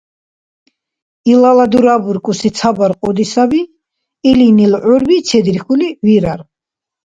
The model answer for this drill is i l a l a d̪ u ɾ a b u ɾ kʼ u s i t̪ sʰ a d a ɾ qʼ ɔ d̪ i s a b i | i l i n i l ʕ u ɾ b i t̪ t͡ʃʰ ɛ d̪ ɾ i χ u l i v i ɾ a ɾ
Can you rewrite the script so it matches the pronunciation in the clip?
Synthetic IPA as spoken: i l a l a d̪ u ɾ a b u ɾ kʼ u s i t̪ sʰ a b a ɾ qʼ ɔ d̪ i s a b i | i l i n i l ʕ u ɾ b i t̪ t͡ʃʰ ɛ d̪ ɾ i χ u l i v i ɾ a ɾ